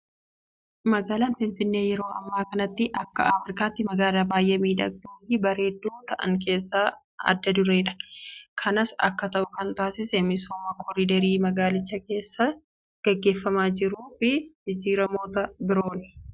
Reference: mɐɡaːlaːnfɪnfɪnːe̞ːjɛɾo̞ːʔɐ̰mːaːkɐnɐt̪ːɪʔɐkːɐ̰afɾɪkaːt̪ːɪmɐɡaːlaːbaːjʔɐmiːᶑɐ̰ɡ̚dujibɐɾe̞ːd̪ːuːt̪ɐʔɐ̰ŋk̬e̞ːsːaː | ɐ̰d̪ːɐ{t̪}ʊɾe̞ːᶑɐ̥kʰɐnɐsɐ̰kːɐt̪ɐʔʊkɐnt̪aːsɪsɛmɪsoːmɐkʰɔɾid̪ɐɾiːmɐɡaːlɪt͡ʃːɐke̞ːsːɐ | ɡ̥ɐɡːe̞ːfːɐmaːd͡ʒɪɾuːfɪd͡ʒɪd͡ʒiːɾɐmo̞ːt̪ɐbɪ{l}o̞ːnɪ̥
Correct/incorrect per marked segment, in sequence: incorrect: d̪, incorrect: ɾ

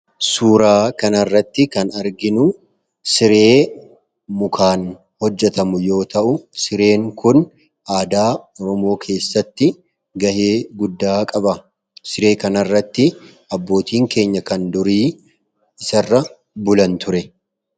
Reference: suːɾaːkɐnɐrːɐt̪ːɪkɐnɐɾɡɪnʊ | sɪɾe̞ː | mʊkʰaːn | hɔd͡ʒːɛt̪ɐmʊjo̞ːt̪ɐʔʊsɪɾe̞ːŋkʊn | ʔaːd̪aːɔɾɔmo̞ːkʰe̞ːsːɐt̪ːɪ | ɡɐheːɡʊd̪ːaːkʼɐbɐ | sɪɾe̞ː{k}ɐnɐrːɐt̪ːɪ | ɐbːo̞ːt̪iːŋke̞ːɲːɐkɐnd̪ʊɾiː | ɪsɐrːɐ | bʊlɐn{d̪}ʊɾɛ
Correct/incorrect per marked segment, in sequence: correct, incorrect: t̪

